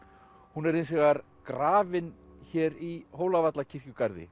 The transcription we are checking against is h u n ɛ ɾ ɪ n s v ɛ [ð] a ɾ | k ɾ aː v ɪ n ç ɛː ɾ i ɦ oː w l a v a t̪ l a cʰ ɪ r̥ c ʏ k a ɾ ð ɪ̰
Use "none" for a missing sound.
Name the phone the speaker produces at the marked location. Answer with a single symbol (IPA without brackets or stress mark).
ɣ